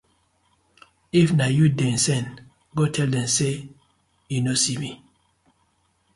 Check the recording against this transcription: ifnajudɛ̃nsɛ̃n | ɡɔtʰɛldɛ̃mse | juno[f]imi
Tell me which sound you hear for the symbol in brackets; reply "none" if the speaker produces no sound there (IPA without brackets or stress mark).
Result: s